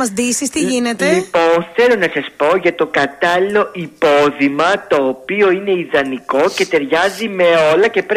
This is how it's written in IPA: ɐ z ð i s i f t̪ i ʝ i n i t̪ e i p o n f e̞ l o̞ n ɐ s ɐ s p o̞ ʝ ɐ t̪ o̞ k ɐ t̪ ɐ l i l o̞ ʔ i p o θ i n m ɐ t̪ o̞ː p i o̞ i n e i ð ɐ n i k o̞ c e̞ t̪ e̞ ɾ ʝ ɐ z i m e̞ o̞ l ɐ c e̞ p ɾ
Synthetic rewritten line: ɐ z ð i s i s t̪ i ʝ i n e t̪ e i p o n θ e̞ l o̞ n ɐ s ɐ s p o̞ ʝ ɐ t̪ o̞ k ɐ t̪ ɐ l i l o̞ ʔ i p o ð i m ɐ t̪ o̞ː p i o̞ i n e i ð ɐ n i k o̞ c e̞ t̪ e̞ ɾ ʝ ɐ z i m e̞ o̞ l ɐ c e̞ p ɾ